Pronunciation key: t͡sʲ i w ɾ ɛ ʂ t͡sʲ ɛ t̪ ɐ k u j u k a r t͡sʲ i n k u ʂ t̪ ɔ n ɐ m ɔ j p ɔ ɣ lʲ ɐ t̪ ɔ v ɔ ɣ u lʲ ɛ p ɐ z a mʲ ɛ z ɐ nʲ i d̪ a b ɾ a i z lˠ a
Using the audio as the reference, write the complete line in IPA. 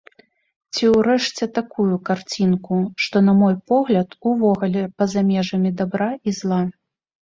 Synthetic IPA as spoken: t͡sʲ i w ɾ ɛ ʂ t͡sʲ ɛ t̪ a k u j u k a r t͡sʲ i n k u ʂ t̪ ɔ n ɐ m ɔ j p ɔ ɣ lʲ ɐ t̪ u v ɔ ɣ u lʲ ɛ p ɐ z a mʲ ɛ ʐ ɐ mʲ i d̪ a b ɾ a i z lˠ a